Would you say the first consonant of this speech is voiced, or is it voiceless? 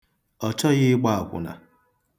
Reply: voiceless